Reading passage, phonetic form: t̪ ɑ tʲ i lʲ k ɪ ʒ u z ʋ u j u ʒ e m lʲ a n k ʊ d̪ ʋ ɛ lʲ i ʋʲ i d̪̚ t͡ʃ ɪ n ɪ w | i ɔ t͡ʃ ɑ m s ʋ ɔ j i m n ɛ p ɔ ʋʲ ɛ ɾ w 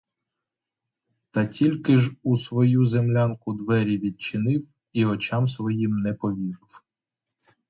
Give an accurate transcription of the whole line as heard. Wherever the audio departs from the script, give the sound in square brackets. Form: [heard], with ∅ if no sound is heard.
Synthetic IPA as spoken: t̪ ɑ tʲ i lʲ k ɪ ʒ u [s] ʋ [ɔ] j u [z] e m lʲ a n k ʊ d̪ ʋ ɛ [ɾʲ] i ʋʲ i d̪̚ t͡ʃ ɪ n ɪ w | i ɔ t͡ʃ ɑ m s ʋ ɔ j i m n ɛ p ɔ ʋʲ [i] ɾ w